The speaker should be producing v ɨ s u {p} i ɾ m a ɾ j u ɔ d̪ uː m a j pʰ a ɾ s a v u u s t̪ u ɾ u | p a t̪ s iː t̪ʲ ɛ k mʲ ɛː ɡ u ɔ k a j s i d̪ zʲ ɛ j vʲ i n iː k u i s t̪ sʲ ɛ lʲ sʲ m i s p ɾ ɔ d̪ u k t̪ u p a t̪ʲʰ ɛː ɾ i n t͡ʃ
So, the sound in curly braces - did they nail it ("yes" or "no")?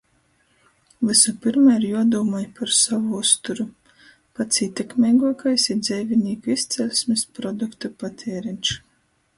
yes